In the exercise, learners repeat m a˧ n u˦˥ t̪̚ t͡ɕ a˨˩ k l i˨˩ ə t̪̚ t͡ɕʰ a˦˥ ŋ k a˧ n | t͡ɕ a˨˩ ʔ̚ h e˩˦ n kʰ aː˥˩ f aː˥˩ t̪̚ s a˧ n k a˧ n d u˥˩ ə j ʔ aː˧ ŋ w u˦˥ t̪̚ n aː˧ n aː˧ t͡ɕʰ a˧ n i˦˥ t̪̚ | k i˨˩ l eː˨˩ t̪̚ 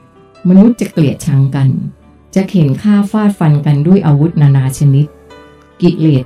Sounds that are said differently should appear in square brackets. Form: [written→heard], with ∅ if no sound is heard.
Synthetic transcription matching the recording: m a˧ n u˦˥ t̪̚ t͡ɕ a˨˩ k l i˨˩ ə t̪̚ t͡ɕʰ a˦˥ ŋ k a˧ n | t͡ɕ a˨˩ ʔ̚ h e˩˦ n kʰ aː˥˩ f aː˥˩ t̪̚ [s→f] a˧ n k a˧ n d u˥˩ ə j ʔ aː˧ [ŋ→∅] w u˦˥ t̪̚ n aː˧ n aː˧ t͡ɕʰ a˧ n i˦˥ t̪̚ | k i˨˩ l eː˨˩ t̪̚